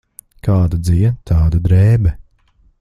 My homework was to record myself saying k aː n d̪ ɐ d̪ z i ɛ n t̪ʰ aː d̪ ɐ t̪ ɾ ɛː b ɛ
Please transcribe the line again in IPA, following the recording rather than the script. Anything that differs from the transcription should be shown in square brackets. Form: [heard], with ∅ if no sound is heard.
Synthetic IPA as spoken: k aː [∅] d̪ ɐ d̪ z i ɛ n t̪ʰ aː d̪ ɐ [d̪] ɾ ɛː b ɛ